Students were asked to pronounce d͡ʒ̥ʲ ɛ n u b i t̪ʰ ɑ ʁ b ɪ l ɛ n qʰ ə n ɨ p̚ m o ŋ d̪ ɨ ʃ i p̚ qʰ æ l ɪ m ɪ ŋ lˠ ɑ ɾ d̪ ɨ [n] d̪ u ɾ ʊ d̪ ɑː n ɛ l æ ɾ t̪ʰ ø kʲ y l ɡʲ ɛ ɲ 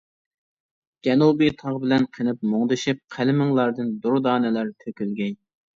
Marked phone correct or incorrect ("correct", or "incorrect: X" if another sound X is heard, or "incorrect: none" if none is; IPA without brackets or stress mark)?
correct